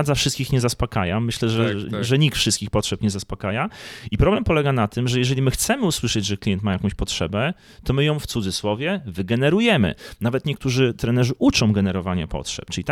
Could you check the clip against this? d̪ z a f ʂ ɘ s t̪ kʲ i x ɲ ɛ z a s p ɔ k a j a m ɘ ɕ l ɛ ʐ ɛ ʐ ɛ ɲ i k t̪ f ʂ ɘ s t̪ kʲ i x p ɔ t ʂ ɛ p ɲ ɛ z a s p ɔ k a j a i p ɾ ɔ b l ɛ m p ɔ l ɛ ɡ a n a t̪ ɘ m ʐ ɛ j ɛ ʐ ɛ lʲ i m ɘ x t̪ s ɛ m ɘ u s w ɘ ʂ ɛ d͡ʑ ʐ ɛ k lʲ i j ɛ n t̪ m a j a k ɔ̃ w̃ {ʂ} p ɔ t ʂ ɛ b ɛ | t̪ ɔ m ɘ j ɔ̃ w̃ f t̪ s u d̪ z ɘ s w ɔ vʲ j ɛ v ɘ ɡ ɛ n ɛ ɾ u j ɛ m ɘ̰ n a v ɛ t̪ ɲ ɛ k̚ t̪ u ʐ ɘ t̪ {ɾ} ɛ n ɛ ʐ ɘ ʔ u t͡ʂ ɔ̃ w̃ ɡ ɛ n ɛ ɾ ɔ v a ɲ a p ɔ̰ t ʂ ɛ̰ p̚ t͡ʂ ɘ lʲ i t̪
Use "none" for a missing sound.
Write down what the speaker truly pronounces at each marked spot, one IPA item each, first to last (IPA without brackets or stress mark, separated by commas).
ɕ, ɾ